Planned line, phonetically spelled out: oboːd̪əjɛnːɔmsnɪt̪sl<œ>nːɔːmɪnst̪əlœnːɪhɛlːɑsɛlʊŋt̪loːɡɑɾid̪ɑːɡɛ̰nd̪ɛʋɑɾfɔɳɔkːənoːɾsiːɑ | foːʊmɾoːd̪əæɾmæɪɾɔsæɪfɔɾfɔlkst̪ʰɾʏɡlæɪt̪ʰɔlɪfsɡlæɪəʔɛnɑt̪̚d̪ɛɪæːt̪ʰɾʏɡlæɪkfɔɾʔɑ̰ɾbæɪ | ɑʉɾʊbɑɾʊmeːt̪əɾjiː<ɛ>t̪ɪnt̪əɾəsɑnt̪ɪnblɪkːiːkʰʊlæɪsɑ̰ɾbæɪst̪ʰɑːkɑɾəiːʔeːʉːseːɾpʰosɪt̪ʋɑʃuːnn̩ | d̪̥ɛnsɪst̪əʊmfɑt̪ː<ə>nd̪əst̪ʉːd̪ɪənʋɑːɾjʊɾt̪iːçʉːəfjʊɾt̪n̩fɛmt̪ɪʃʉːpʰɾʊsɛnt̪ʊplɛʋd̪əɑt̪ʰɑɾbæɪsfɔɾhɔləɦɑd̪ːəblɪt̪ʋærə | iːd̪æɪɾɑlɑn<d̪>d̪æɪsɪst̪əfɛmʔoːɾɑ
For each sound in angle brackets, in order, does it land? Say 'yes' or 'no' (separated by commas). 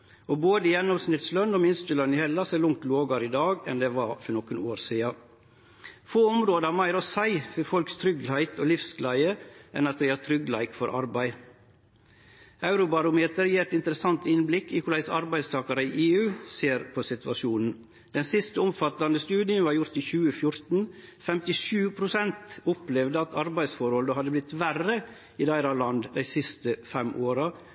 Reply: yes, yes, no, yes